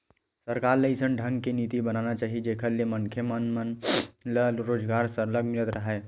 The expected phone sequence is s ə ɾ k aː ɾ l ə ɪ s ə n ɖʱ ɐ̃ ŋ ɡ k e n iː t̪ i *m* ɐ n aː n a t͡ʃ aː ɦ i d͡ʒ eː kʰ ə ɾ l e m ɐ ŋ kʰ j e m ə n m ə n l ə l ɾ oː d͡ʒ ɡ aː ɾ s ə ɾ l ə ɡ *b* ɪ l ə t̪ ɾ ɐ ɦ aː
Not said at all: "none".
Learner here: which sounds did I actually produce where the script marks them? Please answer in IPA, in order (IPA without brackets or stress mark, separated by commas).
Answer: b, m